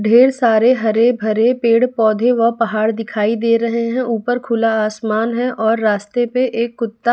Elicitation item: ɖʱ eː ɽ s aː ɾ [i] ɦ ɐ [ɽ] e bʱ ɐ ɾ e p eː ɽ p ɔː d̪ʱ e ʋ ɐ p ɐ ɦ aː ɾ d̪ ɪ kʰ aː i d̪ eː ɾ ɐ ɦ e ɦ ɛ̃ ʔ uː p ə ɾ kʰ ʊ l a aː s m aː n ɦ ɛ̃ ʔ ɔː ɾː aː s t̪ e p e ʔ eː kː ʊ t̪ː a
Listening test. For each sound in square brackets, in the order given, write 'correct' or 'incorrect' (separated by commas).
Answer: incorrect, incorrect